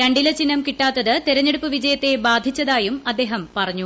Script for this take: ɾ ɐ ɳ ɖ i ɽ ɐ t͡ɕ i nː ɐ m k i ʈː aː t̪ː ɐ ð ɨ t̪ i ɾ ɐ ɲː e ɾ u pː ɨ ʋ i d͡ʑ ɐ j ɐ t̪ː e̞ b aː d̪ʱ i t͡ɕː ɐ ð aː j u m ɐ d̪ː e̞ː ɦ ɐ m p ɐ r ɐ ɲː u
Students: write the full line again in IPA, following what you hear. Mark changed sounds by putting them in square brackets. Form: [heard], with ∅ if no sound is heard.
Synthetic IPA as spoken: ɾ ɐ ɳ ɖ i [l] ɐ t͡ɕ i nː ɐ m k i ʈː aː t̪ː ɐ ð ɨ t̪ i ɾ ɐ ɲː e [ɽ] u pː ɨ ʋ i d͡ʑ ɐ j ɐ t̪ː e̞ b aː d̪ʱ i t͡ɕː ɐ ð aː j u m ɐ d̪ː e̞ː ɦ ɐ m p ɐ r ɐ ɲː u